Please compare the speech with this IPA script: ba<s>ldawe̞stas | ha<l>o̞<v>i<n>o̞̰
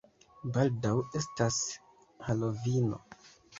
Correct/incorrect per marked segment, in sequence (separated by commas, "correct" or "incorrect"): incorrect, correct, correct, correct